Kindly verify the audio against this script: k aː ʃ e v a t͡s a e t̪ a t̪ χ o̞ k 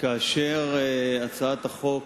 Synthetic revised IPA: k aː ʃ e ʁ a t͡s a a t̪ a χ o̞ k

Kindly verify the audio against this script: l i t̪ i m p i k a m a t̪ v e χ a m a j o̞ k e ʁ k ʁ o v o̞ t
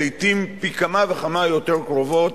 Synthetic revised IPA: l i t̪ i m p i k a m a v e χ a m a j o̞ t e ʁ k ʁ o v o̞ t

